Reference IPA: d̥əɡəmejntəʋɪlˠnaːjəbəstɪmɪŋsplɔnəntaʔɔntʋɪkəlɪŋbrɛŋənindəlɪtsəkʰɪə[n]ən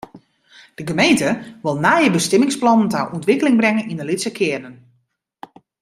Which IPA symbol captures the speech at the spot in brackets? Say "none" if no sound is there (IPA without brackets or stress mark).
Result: n